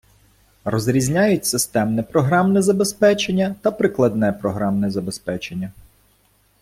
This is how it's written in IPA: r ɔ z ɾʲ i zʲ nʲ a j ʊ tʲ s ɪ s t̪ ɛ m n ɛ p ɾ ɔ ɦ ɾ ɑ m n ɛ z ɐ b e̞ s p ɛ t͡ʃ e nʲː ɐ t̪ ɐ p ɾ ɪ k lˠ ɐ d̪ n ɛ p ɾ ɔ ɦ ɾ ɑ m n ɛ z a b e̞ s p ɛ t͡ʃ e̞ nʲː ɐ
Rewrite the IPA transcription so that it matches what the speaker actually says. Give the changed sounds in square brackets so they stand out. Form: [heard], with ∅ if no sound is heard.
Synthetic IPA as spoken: r ɔ z ɾʲ i zʲ nʲ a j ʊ tʲ s ɪ s t̪ ɛ m n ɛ p ɾ ɔ ɦ ɾ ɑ m n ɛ z ɐ b e̞ s p ɛ t͡ʃ e nʲː ɐ t̪ ɐ p ɾ ɪ k lˠ ɐ d̪ n ɛ p ɾ ɔ ɦ ɾ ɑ m n ɛ z [ɐ] b e̞ s p ɛ t͡ʃ e̞ nʲː ɐ